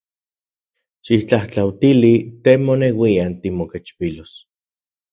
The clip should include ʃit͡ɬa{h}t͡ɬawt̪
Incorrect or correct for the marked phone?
correct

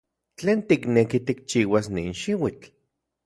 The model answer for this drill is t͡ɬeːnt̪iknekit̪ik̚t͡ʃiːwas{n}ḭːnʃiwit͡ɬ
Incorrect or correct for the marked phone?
correct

